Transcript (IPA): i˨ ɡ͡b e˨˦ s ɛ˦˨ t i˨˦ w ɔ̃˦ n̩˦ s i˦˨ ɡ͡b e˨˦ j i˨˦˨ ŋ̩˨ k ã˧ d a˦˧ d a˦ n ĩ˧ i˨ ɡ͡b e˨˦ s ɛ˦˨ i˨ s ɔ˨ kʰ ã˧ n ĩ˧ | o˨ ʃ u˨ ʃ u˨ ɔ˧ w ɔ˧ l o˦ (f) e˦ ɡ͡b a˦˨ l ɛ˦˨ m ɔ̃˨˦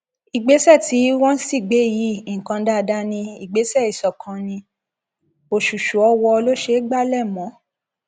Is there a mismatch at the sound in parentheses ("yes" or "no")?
yes